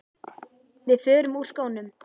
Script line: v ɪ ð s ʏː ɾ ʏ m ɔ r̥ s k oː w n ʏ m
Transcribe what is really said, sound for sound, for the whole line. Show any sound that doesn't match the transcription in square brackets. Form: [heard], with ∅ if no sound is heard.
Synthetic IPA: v ɪ ð [f] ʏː ɾ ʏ m [u] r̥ s k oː w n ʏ m

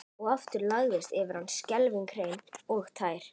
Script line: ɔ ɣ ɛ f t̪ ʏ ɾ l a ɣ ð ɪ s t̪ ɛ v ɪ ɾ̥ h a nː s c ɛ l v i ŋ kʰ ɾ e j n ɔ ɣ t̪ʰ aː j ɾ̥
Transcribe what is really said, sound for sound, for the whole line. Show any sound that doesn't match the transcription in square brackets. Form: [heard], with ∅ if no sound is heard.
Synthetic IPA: ɔ ɣ [a] f t̪ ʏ ɾ l a ɣ ð ɪ s t̪ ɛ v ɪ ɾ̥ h a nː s c ɛ l v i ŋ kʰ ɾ e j n ɔ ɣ t̪ʰ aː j ɾ̥

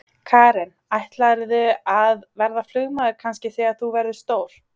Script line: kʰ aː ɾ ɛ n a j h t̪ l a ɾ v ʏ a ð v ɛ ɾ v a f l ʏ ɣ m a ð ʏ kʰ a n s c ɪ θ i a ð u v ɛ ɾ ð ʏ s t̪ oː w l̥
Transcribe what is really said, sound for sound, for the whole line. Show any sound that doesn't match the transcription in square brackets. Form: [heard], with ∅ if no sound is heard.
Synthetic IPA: kʰ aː ɾ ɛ n a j h t̪ l a ɾ [ð] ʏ a ð v ɛ ɾ [ð] a f l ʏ ɣ m a ð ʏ kʰ a n s c ɪ θ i a [θ] u v ɛ ɾ ð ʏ s t̪ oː w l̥

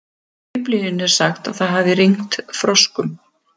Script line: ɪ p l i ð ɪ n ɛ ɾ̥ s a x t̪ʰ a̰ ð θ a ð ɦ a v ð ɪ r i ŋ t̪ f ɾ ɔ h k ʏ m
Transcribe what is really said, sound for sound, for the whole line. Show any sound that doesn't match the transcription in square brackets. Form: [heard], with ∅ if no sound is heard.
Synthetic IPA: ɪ p l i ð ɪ n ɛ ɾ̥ s a x [t̪] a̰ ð θ a ð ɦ a v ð ɪ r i ŋ t̪ f ɾ ɔ [s] k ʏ m

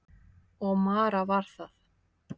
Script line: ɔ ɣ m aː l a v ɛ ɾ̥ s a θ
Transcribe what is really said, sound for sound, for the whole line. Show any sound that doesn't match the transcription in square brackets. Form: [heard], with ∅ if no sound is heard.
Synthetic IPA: ɔ ɣ m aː [ɾ] a v [a] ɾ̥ [θ] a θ

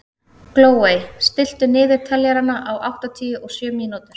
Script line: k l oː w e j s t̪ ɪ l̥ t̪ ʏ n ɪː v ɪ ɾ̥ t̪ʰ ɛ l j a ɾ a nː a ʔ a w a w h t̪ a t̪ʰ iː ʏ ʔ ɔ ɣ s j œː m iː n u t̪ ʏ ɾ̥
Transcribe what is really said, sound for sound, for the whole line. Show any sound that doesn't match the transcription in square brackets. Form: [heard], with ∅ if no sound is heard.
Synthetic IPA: k l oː w e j s t̪ ɪ l̥ t̪ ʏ n ɪː [ð] ɪ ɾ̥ t̪ʰ ɛ l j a ɾ a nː a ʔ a w a w h t̪ a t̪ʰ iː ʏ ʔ ɔ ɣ s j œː m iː n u t̪ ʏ ɾ̥

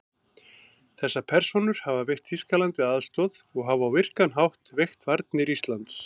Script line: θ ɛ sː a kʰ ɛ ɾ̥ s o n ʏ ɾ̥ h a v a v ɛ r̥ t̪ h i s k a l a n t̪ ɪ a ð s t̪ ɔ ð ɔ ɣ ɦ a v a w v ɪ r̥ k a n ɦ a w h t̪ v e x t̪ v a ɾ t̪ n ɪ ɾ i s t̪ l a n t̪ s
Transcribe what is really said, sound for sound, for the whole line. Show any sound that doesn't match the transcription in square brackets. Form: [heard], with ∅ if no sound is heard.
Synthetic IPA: θ ɛ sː a [pʰ] ɛ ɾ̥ s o n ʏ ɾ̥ h a v a v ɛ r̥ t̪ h i s k a l a n t̪ ɪ a ð s t̪ ɔ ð ɔ ɣ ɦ a v a w v ɪ r̥ k a n ɦ a w h t̪ v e x t̪ v a ɾ t̪ n ɪ ɾ i s t̪ l a n t̪ s

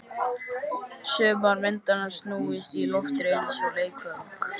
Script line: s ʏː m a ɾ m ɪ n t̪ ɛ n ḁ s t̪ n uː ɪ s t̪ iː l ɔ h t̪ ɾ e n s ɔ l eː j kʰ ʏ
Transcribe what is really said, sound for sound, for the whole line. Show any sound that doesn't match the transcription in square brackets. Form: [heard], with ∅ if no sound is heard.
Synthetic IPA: s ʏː m a ɾ m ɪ n t̪ [a] n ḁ s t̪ n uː ɪ s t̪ [i] l ɔ [f] t̪ ɾ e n s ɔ l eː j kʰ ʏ

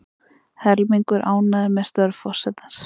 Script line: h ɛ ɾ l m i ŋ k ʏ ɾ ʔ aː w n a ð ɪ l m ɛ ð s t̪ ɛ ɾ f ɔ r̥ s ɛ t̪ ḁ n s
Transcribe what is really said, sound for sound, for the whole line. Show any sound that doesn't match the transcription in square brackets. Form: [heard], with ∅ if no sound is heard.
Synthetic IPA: h ɛ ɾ l m i ŋ k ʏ ɾ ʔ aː w n a ð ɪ [ɾ] m ɛ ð s t̪ [œ] ɾ f ɔ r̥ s ɛ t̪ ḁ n s

